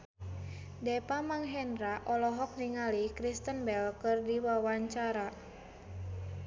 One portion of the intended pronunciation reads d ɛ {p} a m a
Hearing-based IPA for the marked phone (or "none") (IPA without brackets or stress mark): p